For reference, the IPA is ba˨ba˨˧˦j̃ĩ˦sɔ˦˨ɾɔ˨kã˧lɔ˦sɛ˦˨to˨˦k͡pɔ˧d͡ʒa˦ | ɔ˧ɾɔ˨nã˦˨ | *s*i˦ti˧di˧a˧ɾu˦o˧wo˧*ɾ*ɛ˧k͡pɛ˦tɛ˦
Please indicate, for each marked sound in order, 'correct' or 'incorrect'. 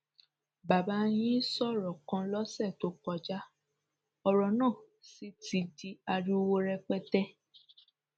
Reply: correct, correct

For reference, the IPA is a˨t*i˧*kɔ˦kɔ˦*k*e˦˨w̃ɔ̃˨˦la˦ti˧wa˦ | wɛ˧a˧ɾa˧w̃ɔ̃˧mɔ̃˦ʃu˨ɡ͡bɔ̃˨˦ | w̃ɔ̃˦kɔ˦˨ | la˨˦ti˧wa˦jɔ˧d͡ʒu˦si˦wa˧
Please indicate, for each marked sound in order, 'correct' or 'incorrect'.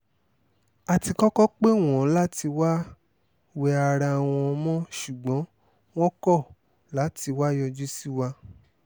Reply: correct, incorrect: k͡p

